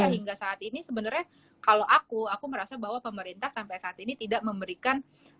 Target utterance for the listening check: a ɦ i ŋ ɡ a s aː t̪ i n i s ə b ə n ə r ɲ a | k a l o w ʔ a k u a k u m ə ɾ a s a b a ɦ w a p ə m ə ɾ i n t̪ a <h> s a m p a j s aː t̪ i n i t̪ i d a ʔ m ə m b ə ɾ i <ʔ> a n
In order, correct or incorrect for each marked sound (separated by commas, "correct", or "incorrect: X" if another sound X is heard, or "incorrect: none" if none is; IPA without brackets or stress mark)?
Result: correct, incorrect: k